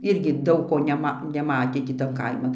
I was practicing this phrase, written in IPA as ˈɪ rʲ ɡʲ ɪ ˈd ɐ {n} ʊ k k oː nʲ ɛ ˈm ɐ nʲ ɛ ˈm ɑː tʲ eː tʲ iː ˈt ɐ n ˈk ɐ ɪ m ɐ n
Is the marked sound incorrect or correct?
incorrect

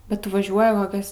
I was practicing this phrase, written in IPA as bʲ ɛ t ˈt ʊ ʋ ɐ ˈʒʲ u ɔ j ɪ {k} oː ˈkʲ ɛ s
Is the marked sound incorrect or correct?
correct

